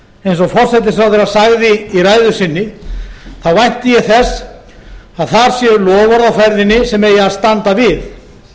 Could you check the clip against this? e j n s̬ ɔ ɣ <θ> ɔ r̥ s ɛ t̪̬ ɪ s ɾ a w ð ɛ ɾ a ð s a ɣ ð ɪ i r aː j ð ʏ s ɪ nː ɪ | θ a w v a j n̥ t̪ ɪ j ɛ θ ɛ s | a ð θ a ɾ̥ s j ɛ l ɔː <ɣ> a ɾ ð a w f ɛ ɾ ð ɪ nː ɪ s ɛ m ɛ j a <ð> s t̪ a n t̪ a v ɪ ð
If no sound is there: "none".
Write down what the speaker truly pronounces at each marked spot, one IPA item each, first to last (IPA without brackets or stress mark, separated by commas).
f, v, ð